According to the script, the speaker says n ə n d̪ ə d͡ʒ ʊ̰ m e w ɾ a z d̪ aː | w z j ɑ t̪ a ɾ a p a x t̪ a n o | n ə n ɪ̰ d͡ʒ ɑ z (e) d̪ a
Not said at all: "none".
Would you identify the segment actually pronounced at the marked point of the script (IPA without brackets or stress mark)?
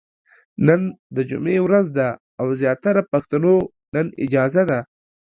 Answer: a